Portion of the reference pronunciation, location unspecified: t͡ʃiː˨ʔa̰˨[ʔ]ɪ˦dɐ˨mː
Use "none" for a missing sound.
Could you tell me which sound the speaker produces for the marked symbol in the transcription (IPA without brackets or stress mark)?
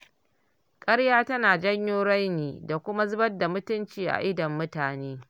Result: ʔ